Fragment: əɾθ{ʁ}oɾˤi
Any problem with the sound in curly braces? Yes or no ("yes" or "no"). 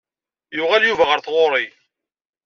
no